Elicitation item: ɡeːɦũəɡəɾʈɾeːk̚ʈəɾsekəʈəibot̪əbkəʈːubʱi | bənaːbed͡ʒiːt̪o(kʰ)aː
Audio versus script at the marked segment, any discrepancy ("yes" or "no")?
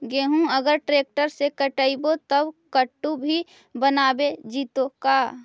yes